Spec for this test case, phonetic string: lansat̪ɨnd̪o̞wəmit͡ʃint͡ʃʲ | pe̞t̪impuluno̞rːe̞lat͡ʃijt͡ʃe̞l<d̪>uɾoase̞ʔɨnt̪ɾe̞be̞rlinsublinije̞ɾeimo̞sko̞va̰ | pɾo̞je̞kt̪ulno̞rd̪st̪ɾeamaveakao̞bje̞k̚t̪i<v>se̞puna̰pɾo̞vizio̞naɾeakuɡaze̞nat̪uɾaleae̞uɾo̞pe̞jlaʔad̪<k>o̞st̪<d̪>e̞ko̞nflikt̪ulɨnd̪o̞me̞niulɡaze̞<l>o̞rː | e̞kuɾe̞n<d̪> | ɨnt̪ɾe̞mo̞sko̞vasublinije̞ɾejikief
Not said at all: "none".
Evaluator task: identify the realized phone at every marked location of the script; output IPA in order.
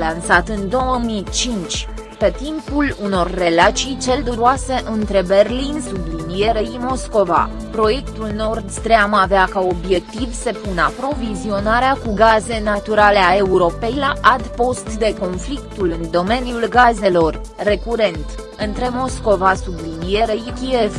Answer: d̪, v, p, d̪, l, t̪

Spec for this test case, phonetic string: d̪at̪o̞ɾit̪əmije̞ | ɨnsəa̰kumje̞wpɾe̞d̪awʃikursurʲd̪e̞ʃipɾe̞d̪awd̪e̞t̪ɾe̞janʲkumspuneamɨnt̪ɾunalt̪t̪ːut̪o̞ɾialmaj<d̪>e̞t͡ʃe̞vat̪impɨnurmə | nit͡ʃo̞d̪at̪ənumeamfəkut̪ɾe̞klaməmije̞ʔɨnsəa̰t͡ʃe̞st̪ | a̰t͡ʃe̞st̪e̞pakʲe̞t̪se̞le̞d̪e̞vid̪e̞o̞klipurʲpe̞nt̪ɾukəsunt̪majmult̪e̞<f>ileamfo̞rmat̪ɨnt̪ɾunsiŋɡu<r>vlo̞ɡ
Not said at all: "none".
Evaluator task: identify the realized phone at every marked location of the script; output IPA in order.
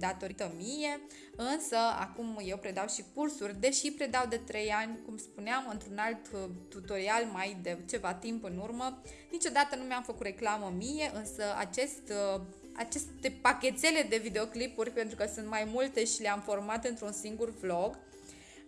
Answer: d̪, ʃ, r

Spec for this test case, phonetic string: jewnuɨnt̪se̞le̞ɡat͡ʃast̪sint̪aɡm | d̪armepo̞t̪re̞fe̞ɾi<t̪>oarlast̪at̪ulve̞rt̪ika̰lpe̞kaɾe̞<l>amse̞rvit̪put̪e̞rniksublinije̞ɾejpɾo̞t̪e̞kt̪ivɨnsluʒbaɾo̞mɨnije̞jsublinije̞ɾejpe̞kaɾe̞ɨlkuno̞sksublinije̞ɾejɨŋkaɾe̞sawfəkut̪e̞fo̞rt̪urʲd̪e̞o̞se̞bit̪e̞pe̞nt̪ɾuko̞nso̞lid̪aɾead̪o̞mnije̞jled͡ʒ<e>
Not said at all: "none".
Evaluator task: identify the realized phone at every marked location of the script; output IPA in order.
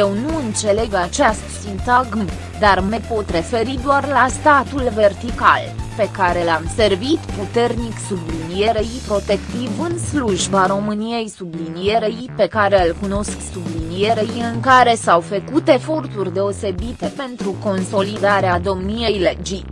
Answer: d̪, l, i

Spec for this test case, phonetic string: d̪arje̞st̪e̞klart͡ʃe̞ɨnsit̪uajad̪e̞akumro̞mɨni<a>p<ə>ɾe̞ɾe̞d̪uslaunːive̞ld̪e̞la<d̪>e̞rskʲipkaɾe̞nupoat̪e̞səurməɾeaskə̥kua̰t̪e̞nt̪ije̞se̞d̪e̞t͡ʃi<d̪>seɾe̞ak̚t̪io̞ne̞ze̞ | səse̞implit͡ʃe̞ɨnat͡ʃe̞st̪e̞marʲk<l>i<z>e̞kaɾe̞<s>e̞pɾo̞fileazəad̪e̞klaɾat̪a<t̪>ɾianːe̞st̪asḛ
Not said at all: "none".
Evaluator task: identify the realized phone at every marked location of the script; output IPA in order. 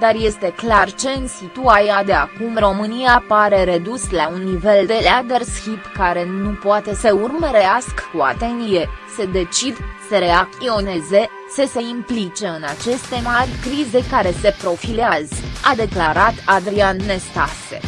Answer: a, a, d̪, d̪, ɾ, z, s, d̪

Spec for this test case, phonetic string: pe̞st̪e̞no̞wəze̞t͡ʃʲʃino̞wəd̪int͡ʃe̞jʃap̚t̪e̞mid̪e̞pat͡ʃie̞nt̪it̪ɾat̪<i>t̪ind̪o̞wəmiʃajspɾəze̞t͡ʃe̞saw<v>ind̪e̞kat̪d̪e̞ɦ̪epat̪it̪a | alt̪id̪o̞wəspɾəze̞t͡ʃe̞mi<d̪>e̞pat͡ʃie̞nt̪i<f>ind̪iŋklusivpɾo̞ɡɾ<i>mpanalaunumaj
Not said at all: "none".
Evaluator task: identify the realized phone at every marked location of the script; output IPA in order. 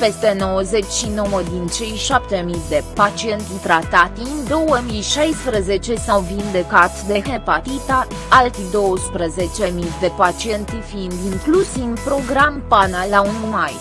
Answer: a, v, d̪, f, a

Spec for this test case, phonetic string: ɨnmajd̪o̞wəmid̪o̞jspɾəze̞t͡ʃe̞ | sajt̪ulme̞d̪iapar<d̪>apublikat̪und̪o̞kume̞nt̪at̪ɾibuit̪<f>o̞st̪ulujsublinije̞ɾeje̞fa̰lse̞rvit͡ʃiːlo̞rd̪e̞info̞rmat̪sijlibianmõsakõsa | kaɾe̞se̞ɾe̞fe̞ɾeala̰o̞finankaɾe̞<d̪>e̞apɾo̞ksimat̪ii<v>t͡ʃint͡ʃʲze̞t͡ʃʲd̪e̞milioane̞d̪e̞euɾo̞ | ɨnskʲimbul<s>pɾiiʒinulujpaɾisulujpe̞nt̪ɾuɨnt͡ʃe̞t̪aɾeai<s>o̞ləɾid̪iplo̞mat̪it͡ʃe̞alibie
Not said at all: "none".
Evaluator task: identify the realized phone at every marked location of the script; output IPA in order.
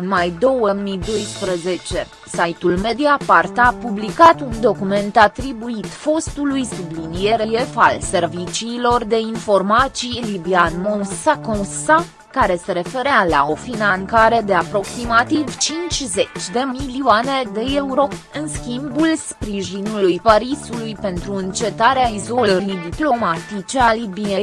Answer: t̪, f, d̪, v, s, z

